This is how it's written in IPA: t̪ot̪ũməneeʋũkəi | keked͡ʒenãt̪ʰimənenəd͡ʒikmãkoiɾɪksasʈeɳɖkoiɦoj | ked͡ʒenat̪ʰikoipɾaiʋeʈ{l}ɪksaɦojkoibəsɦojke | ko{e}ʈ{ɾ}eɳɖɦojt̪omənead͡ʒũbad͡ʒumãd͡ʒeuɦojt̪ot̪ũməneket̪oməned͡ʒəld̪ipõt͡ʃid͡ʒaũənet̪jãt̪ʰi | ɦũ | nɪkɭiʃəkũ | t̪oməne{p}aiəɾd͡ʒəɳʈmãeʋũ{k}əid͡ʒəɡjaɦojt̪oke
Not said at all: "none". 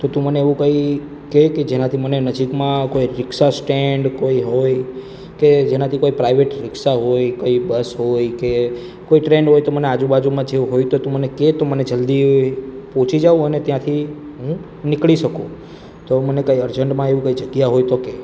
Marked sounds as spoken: ɾ, i, ɾ, k, k

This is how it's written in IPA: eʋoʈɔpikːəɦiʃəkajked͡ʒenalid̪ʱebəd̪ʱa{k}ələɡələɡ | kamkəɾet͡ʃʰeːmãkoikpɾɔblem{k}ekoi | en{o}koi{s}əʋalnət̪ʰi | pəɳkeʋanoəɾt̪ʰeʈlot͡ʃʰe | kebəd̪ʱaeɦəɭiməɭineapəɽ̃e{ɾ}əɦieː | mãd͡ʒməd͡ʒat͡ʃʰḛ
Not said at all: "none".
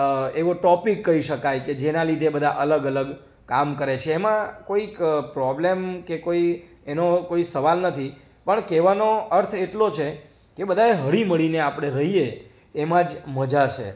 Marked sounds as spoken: ʔ, k, o, s, ɾ

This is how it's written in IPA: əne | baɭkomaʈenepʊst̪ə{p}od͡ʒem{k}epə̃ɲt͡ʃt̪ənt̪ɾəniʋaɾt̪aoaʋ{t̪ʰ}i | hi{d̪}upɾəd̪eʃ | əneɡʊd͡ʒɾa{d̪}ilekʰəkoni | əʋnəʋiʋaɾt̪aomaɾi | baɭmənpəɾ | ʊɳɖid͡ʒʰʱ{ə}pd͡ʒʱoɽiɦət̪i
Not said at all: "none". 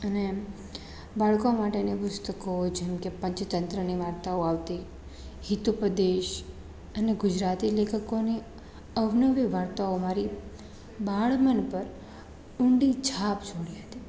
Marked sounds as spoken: k, k, t̪, t̪, t̪, a

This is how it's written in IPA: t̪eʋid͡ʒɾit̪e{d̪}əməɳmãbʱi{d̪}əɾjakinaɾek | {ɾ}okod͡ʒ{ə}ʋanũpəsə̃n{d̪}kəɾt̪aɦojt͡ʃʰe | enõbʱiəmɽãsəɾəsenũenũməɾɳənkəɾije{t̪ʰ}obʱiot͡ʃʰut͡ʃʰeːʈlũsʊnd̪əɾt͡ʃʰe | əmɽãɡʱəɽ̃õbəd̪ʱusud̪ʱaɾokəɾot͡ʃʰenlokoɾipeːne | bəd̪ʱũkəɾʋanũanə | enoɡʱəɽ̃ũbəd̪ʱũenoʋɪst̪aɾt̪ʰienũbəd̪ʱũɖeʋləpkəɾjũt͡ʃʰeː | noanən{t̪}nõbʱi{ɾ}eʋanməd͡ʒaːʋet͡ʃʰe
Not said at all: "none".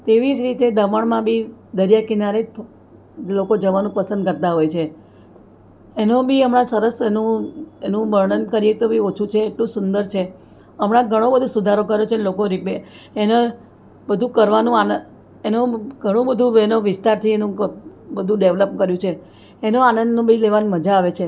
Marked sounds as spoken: d̪, d̪, l, ə, d̪, t̪, d̪, l

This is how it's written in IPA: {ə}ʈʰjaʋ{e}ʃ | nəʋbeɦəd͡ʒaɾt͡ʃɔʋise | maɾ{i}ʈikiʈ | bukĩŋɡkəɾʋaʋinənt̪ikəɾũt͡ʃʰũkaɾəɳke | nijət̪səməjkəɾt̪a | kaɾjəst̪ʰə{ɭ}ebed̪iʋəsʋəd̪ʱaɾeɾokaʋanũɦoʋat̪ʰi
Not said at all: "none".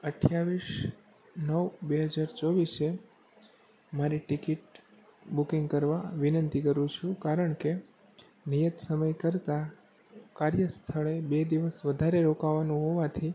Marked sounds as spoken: ə, i, i, ɭ

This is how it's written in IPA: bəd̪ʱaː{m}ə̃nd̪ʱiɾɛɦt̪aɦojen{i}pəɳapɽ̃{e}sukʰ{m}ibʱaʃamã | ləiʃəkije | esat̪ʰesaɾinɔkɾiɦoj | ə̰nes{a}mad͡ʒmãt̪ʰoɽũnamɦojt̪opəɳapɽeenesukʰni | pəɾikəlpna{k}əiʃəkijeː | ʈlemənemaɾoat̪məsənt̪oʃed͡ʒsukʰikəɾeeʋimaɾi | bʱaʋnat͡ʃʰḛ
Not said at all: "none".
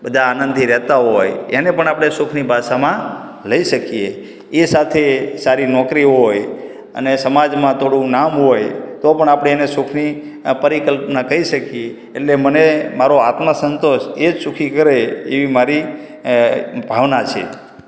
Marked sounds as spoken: n, e, e, n, ə, k

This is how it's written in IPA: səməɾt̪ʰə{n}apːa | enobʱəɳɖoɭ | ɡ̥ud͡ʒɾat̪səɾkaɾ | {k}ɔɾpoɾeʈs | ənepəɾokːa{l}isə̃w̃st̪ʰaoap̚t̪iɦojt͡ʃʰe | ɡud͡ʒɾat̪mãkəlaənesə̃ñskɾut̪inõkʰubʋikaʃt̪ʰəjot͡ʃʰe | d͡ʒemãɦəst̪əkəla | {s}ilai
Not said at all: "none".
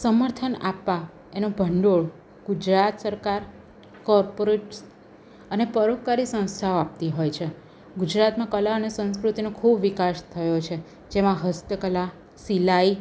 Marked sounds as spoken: n, k, ɾ, s

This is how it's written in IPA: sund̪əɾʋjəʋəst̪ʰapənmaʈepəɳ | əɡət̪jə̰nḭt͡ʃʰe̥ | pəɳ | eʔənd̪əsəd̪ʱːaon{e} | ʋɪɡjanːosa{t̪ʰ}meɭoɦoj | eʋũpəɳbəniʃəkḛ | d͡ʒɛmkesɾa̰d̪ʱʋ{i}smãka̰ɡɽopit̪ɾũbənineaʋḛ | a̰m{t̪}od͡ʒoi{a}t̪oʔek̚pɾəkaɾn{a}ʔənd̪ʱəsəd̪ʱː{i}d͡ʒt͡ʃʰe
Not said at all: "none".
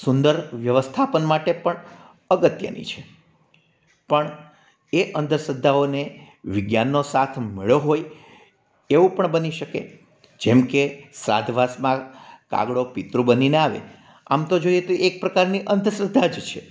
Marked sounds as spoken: e, t̪ʰ, a, t̪, e, i, a

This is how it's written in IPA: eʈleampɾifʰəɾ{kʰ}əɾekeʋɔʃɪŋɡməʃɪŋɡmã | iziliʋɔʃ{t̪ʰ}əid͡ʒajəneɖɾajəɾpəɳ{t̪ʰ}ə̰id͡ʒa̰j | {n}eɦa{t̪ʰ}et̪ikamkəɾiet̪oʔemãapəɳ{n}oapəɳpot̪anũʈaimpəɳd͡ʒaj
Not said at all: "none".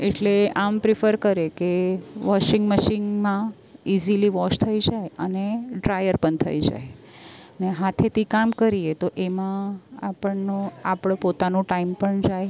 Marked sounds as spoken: k, t̪ʰ, t̪ʰ, n, t̪ʰ, n

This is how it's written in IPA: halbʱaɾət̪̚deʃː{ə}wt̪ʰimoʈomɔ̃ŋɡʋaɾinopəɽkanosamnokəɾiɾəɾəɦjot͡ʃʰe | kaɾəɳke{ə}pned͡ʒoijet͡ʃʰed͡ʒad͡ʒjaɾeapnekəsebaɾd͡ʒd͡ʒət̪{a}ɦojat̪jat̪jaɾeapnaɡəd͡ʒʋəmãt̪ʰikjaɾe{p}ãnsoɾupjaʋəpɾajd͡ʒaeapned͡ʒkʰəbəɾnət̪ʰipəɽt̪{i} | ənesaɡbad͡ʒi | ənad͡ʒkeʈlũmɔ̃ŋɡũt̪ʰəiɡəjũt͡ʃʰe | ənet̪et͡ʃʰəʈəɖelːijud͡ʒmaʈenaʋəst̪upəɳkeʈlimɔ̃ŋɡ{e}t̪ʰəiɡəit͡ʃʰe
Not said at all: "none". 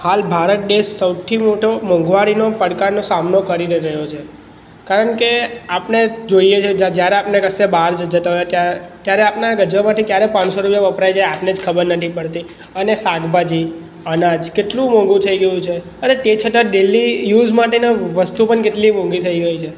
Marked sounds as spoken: ə, a, a, p, i, i

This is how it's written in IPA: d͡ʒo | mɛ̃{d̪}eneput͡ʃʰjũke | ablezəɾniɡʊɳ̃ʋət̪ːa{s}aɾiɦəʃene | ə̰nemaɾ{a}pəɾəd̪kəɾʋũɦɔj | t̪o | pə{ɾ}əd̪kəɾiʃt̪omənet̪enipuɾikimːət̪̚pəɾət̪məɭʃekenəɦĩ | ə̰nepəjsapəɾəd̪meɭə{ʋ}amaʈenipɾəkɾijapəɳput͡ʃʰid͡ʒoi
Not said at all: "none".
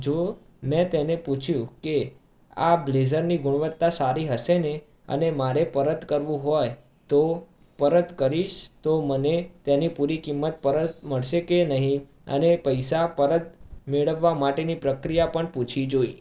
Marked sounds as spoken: t̪, s, e, ɾ, ʋː

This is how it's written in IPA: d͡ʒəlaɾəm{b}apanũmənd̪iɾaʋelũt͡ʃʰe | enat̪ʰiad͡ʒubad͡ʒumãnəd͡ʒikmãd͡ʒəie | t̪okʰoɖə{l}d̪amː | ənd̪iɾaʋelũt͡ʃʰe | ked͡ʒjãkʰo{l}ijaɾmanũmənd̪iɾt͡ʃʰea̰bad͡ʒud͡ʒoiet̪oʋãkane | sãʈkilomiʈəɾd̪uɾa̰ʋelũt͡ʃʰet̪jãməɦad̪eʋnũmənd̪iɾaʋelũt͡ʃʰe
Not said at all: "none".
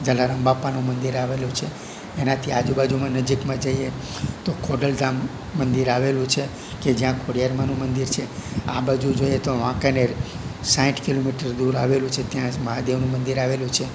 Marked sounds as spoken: b, l, ɽ

